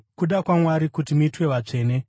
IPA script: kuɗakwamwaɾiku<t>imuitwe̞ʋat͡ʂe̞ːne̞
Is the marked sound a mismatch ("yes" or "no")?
no